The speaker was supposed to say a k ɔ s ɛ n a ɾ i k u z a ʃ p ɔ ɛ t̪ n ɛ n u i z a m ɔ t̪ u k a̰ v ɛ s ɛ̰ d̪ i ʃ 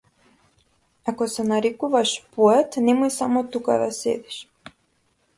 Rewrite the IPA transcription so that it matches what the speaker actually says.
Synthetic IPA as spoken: a k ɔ s ɛ n a ɾ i k u v a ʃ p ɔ ɛ t̪ n ɛ m u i s a m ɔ t̪ u k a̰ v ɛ s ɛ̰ d̪ i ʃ